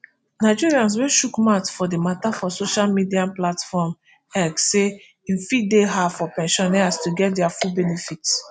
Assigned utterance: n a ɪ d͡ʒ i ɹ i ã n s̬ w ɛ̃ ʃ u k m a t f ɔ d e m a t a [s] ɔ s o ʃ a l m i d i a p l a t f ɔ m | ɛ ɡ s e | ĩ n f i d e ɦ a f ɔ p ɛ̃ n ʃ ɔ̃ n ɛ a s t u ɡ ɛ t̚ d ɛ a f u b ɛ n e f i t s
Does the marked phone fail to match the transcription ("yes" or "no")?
yes